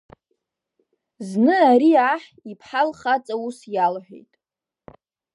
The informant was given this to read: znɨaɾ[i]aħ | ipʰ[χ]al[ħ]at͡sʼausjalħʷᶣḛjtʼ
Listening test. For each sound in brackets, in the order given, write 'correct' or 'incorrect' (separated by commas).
correct, incorrect, incorrect